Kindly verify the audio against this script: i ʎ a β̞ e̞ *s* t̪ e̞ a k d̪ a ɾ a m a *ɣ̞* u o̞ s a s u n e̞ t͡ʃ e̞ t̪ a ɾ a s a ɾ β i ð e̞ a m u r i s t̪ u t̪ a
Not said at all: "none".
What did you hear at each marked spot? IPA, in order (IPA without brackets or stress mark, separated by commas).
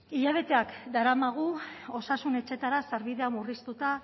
none, ɣ̞